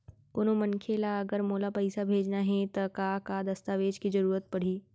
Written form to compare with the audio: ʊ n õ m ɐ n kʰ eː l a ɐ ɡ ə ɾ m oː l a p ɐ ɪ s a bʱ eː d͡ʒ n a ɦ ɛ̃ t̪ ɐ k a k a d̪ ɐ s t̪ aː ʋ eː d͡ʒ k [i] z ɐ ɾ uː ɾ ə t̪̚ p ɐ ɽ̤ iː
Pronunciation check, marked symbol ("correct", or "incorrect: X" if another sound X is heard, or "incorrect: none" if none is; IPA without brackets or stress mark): correct